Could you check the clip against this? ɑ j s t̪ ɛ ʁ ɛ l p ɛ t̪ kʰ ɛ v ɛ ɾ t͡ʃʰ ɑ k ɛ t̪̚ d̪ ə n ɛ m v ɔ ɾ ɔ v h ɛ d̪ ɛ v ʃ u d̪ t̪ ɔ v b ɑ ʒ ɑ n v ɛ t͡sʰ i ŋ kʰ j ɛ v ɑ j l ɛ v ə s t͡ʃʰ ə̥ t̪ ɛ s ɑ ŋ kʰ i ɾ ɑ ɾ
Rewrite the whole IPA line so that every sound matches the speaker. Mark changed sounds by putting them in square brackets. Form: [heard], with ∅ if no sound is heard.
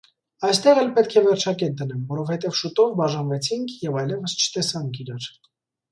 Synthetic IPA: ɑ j s t̪ ɛ ʁ ɛ l p ɛ t̪ kʰ ɛ v ɛ ɾ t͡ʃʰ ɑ k ɛ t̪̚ d̪ ə n ɛ m v ɔ ɾ ɔ v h ɛ [t̪] ɛ v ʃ u [∅] t̪ ɔ v b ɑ ʒ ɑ n v ɛ t͡sʰ i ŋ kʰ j ɛ v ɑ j l ɛ v ə s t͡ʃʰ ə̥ t̪ ɛ s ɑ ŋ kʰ i ɾ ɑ ɾ

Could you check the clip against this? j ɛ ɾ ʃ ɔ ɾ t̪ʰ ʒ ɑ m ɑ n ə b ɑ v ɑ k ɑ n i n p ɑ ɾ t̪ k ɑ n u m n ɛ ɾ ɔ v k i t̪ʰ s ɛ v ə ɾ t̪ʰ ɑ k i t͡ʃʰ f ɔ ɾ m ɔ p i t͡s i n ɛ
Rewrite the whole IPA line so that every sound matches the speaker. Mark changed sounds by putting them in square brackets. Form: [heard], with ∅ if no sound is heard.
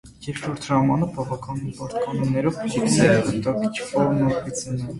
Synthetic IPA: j ɛ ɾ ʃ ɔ ɾ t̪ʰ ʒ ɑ m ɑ n ə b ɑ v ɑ k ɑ n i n p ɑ ɾ t̪ k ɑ n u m n ɛ ɾ ɔ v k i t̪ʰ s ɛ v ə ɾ [t̪] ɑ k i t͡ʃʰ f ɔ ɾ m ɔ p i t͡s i n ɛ

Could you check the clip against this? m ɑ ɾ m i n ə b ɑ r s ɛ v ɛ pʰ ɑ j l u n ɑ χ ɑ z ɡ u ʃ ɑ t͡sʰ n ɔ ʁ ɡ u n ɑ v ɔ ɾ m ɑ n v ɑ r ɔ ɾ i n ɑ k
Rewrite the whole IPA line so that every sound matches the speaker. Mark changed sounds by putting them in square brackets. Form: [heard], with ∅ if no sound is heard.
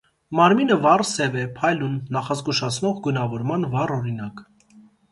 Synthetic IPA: m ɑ ɾ m i n ə [v] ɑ r s ɛ v ɛ pʰ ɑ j l u [nː] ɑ χ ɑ z ɡ u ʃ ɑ t͡sʰ n ɔ ʁ ɡ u n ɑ v ɔ ɾ m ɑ n v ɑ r ɔ ɾ i n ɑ k

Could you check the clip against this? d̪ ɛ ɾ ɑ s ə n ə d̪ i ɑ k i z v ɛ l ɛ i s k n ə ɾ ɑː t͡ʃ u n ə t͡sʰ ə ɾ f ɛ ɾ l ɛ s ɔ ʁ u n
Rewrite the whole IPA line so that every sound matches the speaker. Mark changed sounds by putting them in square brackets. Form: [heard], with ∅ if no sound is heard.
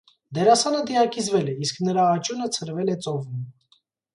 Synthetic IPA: d̪ ɛ ɾ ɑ s [ɑ] n ə d̪ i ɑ k i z v ɛ l ɛ i s k n ə ɾ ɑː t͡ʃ u n ə t͡sʰ ə ɾ [v] ɛ [∅] l ɛ [t͡s] ɔ [v] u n

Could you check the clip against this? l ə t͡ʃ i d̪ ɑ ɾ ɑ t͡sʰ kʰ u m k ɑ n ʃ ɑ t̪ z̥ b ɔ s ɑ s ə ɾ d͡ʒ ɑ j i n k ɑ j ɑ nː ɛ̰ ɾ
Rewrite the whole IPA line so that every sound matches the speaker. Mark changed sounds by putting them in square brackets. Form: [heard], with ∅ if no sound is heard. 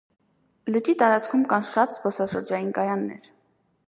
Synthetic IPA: l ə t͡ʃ i [t̪] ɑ ɾ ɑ [t͡s] kʰ u m k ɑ n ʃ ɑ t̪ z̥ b ɔ s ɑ [ʃ] ə ɾ d͡ʒ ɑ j i n k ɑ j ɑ nː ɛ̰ ɾ

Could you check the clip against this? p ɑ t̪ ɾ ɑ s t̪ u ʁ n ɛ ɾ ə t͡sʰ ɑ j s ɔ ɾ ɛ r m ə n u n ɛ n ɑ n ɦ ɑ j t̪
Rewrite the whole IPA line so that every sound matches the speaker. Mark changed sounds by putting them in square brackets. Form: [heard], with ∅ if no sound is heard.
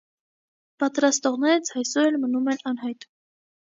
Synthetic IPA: p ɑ t̪ ɾ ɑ s t̪ [ɔ] ʁ n ɛ ɾ ə t͡sʰ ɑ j s ɔ ɾ ɛ [l] m ə n u [m] ɛ n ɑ n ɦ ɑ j t̪

